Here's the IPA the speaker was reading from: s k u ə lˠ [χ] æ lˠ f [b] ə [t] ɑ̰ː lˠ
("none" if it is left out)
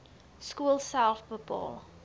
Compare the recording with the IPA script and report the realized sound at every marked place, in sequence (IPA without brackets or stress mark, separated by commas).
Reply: s, b, p